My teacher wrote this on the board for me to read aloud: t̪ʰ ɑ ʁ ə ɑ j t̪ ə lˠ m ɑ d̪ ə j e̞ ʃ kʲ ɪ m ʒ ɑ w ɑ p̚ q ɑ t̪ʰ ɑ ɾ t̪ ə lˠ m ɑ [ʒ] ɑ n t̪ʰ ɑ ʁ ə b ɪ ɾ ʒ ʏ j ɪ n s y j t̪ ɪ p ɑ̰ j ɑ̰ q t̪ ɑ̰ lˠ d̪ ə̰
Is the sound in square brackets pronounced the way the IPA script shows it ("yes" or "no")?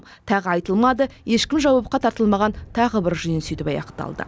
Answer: no